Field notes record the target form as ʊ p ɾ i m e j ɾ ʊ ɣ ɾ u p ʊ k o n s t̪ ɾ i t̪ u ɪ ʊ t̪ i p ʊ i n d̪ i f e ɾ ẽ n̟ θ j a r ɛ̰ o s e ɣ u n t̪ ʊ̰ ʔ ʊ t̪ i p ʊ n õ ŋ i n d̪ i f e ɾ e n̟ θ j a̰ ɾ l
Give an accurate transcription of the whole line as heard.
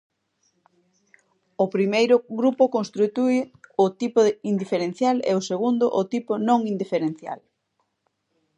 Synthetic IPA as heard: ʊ p ɾ i m e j ɾ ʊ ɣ ɾ u p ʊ k o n s t̪ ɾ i t̪ u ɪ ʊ t̪ i p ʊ i n d̪ i f e ɾ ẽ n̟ θ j a l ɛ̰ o s e ɣ u n d̪ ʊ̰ ʔ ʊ t̪ i p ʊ n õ ŋ i n d̪ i f e ɾ e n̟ θ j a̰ l